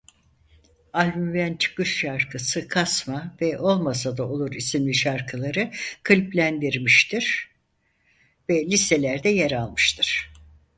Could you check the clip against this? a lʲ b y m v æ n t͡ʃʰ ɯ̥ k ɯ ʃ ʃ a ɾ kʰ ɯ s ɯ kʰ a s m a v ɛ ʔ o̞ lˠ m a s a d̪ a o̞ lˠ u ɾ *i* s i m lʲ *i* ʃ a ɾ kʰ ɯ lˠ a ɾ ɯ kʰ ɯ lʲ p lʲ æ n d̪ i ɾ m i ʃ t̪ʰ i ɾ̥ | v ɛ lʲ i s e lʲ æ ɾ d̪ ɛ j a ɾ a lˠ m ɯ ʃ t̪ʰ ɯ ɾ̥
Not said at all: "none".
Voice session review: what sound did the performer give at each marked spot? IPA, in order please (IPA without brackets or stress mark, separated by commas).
i, i